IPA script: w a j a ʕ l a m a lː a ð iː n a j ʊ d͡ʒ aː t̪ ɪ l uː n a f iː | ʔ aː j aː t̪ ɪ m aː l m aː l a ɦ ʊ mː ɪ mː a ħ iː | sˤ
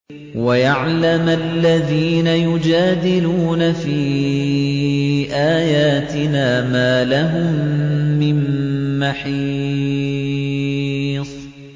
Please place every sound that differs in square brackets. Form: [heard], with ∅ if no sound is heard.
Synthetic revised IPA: w a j a ʕ l a m a lː a ð iː n a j ʊ d͡ʒ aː [d̪] ɪ l uː n a f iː | ʔ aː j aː t̪ ɪ [n] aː [∅] m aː l a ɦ ʊ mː ɪ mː a ħ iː | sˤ